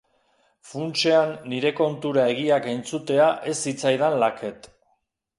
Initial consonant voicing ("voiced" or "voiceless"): voiceless